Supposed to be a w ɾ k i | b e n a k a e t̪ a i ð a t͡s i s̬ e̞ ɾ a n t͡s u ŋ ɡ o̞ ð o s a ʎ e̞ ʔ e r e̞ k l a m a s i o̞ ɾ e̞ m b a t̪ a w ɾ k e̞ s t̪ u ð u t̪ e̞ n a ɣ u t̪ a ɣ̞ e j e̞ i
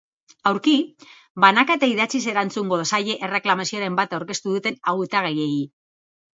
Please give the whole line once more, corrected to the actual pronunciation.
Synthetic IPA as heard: a w ɾ k i | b a n a k a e t̪ a i ð a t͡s i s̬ e̞ ɾ a n t͡s u ŋ ɡ o̞ ð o s a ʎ e̞ ʔ e r e̞ k l a m a s i o̞ ɾ e̞ m b a t̪ a w ɾ k e̞ s t̪ u ð u t̪ e̞ n a ɣ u t̪ a ɣ̞ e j e̞ i